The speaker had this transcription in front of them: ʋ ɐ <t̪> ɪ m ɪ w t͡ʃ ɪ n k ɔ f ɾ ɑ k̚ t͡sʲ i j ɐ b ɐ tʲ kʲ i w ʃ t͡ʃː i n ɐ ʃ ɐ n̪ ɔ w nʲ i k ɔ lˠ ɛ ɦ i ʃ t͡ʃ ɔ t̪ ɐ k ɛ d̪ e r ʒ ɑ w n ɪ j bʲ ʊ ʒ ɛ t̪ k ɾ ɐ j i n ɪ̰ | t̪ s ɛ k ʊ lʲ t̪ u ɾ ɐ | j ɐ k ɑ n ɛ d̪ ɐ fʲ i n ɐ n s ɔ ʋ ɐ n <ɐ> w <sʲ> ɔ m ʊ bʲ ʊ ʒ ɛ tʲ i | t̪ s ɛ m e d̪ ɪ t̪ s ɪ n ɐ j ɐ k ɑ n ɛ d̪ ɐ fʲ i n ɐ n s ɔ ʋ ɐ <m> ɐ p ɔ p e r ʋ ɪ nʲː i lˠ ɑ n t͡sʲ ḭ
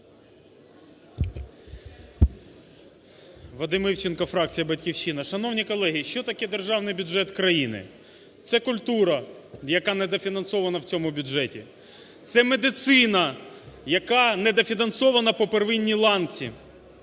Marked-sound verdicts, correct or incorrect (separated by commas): incorrect, correct, incorrect, incorrect